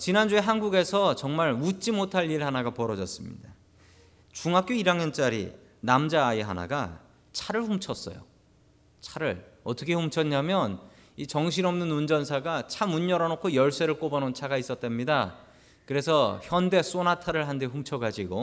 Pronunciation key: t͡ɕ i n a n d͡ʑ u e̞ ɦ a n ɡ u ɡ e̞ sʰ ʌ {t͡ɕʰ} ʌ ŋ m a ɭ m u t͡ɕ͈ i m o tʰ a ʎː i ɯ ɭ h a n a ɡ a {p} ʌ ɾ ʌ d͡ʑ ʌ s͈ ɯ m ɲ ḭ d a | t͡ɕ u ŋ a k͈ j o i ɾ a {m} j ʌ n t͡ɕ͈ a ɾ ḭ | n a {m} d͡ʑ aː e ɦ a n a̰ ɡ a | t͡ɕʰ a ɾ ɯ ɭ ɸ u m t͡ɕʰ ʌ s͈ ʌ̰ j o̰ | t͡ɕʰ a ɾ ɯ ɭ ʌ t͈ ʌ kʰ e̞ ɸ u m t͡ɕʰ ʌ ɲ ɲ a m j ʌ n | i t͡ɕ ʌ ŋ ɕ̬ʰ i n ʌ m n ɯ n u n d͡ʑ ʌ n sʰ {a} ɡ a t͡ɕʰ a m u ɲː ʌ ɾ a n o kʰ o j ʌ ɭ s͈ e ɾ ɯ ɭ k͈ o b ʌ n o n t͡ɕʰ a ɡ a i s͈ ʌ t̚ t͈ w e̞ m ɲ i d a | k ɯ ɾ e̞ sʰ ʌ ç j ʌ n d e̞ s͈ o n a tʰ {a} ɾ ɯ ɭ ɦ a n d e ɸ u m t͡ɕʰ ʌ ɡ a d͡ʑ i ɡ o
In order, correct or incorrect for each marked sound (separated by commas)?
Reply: incorrect, correct, incorrect, correct, correct, correct